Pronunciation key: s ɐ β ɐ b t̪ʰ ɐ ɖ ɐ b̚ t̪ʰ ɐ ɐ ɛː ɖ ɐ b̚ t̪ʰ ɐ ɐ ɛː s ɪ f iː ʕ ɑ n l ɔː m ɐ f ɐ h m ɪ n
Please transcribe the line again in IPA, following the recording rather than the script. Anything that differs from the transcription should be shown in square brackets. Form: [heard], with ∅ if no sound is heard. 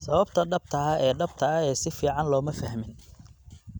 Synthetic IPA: s ɐ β ɐ b t̪ʰ ɐ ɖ ɐ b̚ t̪ʰ ɐ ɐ ɛː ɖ ɐ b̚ t̪ʰ ɐ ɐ ɛː s ɪ f iː ʕ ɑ n l ɔː m ɐ f ɐ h m ɪ n